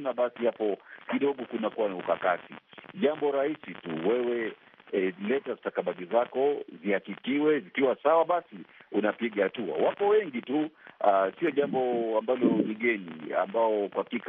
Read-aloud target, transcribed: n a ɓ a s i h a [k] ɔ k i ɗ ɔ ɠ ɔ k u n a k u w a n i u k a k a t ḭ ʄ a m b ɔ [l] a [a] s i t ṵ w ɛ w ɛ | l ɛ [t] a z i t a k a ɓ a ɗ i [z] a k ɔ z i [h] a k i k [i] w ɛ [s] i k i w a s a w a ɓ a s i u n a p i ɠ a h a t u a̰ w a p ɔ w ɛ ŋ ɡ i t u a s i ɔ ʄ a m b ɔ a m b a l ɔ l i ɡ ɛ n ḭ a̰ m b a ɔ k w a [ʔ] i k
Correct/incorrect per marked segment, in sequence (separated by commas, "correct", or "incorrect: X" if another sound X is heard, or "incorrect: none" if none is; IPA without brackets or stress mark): incorrect: p, incorrect: ɾ, incorrect: i, correct, correct, correct, correct, incorrect: z, incorrect: k